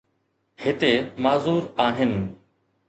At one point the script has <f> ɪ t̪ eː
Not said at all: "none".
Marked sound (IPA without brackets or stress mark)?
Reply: h